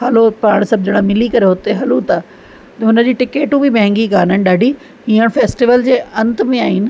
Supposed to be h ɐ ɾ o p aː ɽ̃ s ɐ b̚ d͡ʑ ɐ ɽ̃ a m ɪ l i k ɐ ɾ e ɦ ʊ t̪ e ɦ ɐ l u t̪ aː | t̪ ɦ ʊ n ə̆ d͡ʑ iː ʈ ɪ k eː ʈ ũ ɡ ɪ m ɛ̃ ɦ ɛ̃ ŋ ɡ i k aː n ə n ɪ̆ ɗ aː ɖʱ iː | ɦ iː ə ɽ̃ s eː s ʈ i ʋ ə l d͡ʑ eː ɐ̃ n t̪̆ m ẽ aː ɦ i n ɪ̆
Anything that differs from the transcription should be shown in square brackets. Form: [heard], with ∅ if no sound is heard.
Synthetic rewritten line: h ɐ [l] o p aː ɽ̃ s ɐ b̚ d͡ʑ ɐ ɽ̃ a m ɪ l i k ɐ ɾ e ɦ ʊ t̪ e ɦ ɐ l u t̪ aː | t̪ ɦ ʊ n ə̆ d͡ʑ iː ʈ ɪ k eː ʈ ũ [b] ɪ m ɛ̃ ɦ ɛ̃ ŋ ɡ i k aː n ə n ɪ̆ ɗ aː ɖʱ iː | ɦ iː ə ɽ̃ [f] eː s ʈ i ʋ ə l d͡ʑ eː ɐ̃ n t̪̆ m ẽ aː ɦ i n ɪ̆